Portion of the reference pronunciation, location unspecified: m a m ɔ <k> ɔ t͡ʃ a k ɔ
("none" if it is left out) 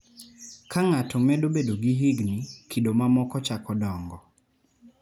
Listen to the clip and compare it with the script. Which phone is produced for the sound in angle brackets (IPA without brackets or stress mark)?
k